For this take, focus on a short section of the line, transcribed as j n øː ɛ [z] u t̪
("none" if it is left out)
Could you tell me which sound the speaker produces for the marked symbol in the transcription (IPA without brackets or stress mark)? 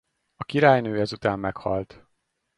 z